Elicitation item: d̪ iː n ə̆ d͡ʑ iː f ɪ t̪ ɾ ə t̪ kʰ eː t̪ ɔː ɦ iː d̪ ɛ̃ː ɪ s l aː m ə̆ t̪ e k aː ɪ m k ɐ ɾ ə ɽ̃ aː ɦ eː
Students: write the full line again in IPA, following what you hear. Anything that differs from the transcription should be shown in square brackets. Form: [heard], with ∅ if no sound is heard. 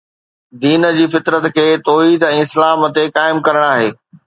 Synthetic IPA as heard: d̪ iː n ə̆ d͡ʑ iː f ɪ t̪ ɾ ə t̪ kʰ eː t̪ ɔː ɦ iː d̪ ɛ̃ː ɪ s l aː m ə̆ t̪ e k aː ɪ m k ɐ ɾ ə ɽ̃ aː ɦ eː